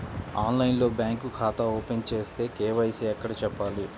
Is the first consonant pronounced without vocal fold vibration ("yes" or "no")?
no